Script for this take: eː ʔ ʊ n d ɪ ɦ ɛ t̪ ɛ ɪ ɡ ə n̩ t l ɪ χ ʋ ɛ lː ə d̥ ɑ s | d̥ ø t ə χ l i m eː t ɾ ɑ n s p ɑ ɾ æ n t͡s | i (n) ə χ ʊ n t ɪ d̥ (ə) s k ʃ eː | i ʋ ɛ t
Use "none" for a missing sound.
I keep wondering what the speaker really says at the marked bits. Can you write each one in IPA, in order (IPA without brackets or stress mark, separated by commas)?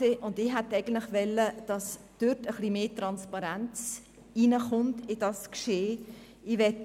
n, ɑ